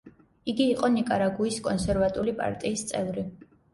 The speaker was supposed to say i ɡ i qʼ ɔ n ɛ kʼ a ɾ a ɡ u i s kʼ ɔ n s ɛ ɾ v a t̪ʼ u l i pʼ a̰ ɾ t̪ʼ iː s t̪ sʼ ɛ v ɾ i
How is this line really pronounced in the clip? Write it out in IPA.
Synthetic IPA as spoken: i ɡ iː qʼ ɔ n i kʼ a ɾ a ɡ u i s kʼ ɔ n s ɛ ɾ v a t̪ʼ u l i pʼ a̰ ɾ t̪ʼ iː s t̪ sʼ ɛ v ɾ i

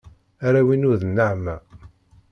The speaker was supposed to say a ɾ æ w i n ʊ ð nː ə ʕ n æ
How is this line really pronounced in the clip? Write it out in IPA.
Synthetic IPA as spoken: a ɾ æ w i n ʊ ð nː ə ʕ m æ

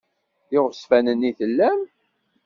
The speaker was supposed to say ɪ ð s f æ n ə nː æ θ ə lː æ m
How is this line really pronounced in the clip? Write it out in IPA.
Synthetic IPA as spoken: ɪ ʁ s f æ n ə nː i θ ə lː æ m

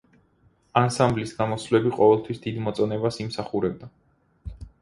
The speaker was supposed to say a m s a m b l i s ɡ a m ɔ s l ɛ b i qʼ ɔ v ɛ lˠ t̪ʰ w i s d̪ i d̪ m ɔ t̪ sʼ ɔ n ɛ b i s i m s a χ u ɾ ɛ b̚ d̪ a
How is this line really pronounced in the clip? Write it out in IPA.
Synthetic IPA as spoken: a n s a m b l i s ɡ a m ɔ s l ɛ b i qʼ ɔ v ɛ lˠ t̪ʰ w i s d̪ i d̪ m ɔ t̪ sʼ ɔ n ɛ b a s i m s a χ u ɾ ɛ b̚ d̪ a

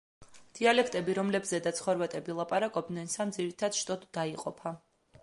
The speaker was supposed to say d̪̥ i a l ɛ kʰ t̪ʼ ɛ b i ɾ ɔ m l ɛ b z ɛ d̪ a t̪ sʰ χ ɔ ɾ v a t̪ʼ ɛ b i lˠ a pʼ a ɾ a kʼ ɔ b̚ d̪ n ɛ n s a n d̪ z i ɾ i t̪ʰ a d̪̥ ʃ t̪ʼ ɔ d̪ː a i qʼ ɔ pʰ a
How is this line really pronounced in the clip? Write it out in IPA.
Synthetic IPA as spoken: d̪̥ i a l ɛ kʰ t̪ʼ ɛ b i ɾ ɔ m l ɛ b z ɛ d̪ a t̪ sʰ χ ɔ ɾ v a t̪ʼ ɛ b i lˠ a pʼ a ɾ a kʼ ɔ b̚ d̪ n ɛ n s a m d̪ z i ɾ i t̪ʰ a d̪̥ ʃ t̪ʼ ɔ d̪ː a i qʼ ɔ pʰ a

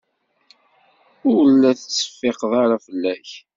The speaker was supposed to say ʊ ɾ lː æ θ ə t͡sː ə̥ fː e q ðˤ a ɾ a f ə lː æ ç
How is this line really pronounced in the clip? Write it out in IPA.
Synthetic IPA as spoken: ʊ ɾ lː æ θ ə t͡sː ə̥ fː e q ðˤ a ɾ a f ə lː æ ç

